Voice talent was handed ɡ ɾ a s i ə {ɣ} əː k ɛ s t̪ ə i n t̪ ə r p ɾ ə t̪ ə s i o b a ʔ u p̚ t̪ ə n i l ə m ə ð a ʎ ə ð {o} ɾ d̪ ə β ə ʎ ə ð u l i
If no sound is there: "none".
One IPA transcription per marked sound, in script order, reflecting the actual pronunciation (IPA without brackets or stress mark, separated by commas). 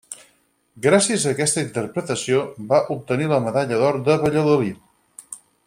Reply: z, ɔ